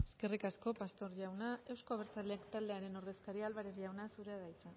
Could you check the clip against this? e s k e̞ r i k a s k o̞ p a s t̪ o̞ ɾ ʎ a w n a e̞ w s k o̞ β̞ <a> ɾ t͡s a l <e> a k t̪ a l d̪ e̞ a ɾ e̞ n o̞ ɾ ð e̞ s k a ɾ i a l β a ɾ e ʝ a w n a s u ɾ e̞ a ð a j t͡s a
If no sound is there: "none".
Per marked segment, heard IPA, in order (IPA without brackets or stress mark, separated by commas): e, e